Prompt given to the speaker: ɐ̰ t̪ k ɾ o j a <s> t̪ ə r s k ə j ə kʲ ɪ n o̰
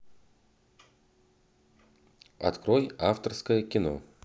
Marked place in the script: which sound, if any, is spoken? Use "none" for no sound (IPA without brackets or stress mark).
f